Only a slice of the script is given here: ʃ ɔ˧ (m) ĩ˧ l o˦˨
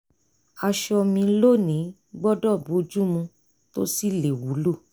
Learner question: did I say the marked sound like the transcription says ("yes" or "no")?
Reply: yes